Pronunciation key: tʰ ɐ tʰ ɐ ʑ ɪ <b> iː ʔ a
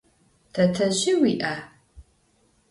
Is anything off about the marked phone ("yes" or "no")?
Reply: yes